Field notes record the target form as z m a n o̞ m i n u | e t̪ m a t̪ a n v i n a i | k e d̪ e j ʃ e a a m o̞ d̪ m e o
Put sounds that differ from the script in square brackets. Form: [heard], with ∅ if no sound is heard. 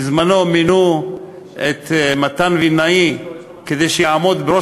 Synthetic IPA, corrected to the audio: z m a n o̞ m i n u | e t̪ m a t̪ a n v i n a i | k e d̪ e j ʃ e a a m o̞ d̪ [b] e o